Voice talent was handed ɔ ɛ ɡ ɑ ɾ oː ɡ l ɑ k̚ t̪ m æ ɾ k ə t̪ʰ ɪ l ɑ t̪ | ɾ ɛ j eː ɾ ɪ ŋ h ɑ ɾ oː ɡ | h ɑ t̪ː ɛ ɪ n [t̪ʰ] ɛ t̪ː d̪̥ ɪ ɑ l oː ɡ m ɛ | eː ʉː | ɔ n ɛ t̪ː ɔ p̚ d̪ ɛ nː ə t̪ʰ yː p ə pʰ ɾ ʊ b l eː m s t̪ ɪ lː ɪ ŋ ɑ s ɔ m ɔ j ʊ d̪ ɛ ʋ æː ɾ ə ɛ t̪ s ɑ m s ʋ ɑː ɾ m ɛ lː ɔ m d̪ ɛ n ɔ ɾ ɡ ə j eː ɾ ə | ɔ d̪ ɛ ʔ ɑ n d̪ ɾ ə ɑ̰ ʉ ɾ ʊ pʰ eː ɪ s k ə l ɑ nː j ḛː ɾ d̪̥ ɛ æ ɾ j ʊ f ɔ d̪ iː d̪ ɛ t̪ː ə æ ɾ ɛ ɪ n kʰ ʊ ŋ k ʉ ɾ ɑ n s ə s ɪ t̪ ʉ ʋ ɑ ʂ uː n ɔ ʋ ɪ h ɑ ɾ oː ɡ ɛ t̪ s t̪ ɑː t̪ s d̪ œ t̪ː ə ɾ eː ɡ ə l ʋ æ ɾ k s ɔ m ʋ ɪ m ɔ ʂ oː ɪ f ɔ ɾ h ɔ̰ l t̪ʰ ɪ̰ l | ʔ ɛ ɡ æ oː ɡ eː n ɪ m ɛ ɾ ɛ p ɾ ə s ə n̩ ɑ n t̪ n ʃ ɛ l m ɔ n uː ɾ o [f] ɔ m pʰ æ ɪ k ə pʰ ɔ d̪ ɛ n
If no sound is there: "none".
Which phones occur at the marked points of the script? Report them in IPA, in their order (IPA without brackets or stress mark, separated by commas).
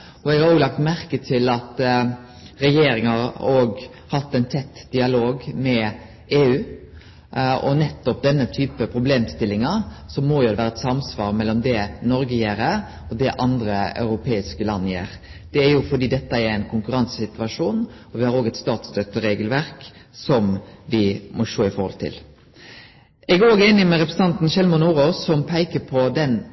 t̪ʰ, s